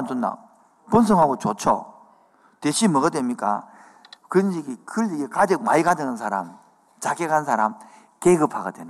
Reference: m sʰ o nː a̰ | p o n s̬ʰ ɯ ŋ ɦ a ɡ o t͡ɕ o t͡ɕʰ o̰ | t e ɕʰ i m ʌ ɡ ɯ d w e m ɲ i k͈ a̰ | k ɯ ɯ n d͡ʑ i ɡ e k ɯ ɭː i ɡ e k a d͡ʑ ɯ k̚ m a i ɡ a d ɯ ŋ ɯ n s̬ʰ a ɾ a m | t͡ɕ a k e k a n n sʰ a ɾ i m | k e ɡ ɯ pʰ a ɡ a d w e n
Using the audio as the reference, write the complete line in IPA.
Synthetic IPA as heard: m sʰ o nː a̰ | p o n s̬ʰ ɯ ŋ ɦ a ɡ o t͡ɕ o t͡ɕʰ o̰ | t e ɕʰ i m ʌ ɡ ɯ d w e m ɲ i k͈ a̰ | k ɯ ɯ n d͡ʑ i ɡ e k ɯ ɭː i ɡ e k a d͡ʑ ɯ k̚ m a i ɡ a d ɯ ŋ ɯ n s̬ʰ a ɾ a m | t͡ɕ a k e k a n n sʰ a ɾ a m | k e ɡ ɯ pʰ a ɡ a d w e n